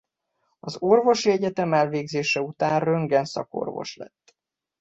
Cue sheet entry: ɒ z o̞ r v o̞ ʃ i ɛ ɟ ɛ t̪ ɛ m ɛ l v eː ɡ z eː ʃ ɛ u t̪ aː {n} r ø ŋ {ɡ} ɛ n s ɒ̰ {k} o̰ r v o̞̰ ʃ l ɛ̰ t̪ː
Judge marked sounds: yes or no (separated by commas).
yes, yes, yes